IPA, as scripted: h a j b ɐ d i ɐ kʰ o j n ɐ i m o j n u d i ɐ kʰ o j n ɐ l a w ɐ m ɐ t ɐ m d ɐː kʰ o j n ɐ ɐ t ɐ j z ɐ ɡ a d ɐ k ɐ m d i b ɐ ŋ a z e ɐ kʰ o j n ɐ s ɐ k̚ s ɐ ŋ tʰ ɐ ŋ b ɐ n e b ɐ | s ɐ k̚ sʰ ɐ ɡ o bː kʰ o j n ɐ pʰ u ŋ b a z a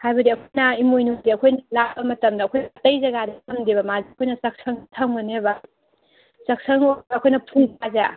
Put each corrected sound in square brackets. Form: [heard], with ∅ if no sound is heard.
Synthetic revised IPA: h a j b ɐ d i ɐ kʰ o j n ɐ i m o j n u d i ɐ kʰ o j n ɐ l a [b] ɐ m ɐ t ɐ m d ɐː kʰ o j n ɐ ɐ t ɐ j z ɐ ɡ a d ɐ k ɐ m d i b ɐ [m] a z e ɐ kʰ o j n ɐ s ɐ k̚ s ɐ ŋ tʰ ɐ ŋ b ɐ n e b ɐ | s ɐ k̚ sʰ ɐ [ŋ] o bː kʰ o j n ɐ pʰ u ŋ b a z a

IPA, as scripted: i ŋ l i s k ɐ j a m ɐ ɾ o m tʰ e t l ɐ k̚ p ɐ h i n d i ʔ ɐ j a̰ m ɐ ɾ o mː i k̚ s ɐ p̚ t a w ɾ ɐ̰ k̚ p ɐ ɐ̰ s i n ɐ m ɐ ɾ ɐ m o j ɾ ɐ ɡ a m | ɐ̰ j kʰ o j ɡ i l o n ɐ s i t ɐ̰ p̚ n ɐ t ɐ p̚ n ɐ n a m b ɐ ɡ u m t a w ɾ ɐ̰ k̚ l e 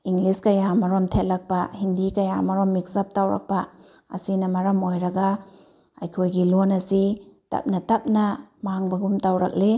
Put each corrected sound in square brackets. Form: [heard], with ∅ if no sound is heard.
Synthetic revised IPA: i ŋ l i s k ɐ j a m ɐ ɾ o m tʰ e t l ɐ k̚ p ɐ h i n d i [k] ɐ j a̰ m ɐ ɾ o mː i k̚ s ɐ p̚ t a w ɾ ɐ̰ k̚ p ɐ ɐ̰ s i n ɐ m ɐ ɾ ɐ m o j ɾ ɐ ɡ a [∅] | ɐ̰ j kʰ o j ɡ i l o n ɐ s i t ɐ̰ p̚ n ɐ t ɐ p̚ n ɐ [m] a [ŋ] b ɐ ɡ u m t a w ɾ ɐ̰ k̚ l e

